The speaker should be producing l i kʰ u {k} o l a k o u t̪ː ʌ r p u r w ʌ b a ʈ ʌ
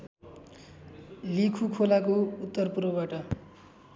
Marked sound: incorrect: kʰ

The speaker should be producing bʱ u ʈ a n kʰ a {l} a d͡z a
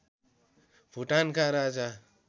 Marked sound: incorrect: ɾ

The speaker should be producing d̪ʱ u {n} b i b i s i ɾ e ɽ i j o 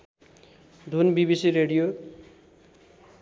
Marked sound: correct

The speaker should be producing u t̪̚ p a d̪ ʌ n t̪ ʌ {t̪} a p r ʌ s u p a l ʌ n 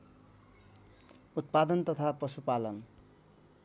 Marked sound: incorrect: t̪ʰ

